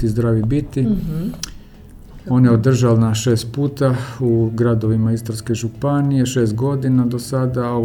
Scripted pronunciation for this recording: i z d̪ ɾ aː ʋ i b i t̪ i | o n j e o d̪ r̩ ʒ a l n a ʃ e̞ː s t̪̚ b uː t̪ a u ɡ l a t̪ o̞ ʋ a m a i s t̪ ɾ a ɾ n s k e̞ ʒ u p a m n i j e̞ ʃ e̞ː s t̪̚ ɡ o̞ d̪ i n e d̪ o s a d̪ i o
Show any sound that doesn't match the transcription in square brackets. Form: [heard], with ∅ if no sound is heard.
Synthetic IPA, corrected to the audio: i z d̪ ɾ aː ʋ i b i t̪ i | o n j e o d̪ r̩ ʒ a l n a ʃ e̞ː s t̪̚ [p] uː t̪ a u ɡ [ɾ] a [d̪] o̞ ʋ [i] m a i s t̪ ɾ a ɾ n s k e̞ ʒ u p a [∅] n i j e̞ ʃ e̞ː s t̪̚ ɡ o̞ d̪ i n [a] d̪ o s a d̪ [a] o